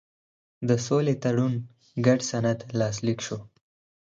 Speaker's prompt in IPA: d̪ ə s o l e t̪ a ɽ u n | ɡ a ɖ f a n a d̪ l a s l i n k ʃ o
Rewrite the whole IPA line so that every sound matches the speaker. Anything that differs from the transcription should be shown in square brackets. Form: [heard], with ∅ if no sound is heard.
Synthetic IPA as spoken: d̪ ə s o l e t̪ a ɽ u n | ɡ a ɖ [s] a n a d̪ l [ɑ] s l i [∅] k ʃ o